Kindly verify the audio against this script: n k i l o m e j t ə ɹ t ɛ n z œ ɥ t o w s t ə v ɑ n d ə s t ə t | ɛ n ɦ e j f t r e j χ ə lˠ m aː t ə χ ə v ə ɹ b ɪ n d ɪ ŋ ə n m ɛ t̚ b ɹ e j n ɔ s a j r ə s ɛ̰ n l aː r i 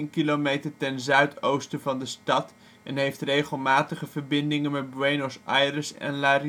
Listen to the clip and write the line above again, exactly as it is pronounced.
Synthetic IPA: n k i l o m e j t ə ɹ t ɛ n z œ ɥ t o w s t ə v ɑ n d ə s t ɑ t | ɛ n ɦ e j f t r e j χ ə lˠ m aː t ə χ ə v ə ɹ b ɪ n d ɪ ŋ ə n m ɛ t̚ b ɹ e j n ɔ s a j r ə s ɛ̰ n l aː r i